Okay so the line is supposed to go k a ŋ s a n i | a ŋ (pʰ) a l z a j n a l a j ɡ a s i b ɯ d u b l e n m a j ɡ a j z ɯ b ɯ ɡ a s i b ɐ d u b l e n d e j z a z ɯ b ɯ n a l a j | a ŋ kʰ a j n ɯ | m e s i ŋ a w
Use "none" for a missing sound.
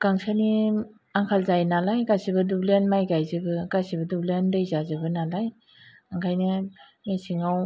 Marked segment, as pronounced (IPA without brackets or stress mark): kʰ